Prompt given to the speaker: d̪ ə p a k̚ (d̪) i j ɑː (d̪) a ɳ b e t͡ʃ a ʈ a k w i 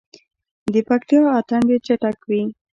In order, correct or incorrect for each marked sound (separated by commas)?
incorrect, incorrect